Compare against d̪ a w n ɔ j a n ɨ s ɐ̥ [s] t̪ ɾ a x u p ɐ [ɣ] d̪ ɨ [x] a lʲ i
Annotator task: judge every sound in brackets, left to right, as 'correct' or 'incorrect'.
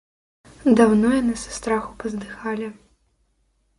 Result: correct, incorrect: z, correct

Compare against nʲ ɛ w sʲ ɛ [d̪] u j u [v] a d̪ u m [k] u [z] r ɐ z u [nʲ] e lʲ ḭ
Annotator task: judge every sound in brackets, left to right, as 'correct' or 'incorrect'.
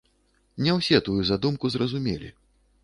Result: incorrect: t̪, incorrect: z, correct, correct, incorrect: mʲ

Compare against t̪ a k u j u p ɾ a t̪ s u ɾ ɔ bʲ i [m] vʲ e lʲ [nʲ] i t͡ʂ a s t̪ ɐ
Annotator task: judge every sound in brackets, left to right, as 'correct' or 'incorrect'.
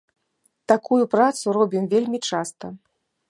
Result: correct, incorrect: mʲ

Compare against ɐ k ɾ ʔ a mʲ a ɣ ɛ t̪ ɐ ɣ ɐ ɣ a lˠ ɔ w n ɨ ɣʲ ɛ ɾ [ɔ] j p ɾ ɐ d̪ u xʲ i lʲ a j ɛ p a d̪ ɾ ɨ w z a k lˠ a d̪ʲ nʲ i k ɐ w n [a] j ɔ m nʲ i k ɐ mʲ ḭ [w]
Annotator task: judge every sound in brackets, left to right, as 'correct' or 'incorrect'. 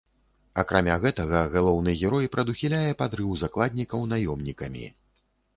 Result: correct, correct, incorrect: none

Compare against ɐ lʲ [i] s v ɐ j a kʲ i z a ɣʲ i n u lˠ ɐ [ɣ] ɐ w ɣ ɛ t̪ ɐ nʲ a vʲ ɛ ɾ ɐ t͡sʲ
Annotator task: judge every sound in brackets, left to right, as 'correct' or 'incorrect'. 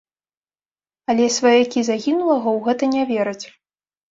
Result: incorrect: ɛ, correct

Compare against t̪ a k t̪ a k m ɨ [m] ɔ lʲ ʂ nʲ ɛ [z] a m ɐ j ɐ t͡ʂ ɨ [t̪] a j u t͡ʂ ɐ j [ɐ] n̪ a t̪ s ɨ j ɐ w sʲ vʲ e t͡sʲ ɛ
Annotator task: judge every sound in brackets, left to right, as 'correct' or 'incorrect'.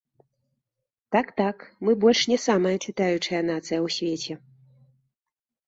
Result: incorrect: b, incorrect: s, correct, correct

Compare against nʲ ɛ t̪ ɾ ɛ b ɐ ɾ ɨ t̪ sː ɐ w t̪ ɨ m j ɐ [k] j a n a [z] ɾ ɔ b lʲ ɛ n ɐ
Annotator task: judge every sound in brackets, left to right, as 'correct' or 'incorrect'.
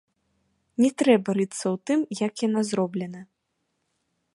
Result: correct, correct

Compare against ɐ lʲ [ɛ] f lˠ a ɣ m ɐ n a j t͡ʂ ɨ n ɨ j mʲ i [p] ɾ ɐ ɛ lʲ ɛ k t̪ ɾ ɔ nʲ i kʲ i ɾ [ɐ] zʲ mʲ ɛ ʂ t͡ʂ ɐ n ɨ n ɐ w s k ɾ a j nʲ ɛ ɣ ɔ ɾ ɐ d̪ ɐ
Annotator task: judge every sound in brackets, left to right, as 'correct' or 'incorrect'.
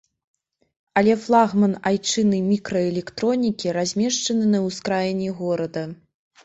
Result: correct, incorrect: k, incorrect: a

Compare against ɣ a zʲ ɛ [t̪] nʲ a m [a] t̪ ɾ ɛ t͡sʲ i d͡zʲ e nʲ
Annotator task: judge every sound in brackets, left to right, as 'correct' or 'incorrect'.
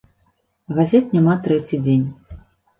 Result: correct, correct

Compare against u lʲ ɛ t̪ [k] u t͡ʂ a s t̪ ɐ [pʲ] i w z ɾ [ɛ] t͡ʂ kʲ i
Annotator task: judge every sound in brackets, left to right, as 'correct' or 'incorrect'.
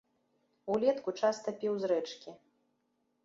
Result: correct, correct, correct

